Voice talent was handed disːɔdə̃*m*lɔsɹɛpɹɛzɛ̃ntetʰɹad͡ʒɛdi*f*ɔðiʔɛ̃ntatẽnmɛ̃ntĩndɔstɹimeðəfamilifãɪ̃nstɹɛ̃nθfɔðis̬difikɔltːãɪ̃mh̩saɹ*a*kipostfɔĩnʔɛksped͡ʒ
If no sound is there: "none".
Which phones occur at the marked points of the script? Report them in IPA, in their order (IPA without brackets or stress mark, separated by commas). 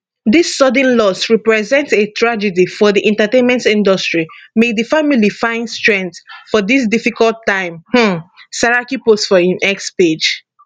n, f, a